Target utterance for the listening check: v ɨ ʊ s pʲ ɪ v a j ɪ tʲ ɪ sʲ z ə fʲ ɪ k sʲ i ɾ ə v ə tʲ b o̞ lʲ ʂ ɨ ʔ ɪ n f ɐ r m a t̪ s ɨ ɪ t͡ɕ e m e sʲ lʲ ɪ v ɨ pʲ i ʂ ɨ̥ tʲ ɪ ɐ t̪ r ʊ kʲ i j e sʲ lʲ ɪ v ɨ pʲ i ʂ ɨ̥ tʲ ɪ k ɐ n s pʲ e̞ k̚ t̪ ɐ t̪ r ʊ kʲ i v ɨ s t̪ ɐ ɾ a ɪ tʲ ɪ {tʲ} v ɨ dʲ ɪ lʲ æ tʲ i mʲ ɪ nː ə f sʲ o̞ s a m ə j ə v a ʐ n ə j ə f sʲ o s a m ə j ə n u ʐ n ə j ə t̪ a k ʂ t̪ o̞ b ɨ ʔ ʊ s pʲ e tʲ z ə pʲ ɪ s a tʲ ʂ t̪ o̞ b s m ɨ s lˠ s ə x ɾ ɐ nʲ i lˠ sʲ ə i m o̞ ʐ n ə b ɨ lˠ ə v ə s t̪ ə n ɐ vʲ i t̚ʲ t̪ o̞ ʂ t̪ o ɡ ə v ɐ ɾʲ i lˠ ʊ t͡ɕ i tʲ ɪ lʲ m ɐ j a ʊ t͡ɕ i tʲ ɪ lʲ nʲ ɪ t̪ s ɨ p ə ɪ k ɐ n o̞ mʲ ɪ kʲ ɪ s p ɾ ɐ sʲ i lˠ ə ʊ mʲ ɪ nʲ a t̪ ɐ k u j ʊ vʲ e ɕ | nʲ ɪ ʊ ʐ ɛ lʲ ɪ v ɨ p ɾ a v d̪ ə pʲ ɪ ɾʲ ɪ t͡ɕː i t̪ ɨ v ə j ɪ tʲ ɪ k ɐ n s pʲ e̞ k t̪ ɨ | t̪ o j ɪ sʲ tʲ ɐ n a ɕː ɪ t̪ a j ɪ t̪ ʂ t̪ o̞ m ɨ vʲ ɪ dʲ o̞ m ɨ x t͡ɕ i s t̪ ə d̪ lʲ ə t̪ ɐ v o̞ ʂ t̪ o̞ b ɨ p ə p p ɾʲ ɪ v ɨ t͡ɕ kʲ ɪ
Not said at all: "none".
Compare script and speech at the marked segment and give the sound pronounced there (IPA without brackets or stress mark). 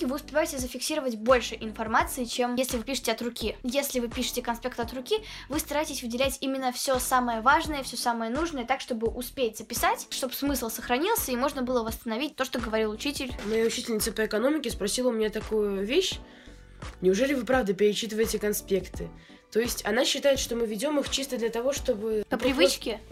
sʲ